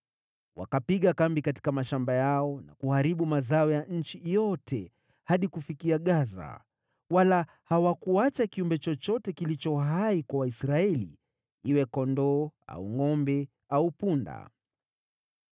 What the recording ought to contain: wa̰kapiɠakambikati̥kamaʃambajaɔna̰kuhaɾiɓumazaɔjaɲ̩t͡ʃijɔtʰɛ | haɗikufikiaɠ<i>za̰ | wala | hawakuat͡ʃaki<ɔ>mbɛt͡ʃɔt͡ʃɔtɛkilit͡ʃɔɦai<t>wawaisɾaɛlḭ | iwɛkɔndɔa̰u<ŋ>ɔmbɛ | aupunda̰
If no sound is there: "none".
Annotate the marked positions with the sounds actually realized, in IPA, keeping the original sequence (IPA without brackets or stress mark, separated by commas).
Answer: a, u, k, ŋ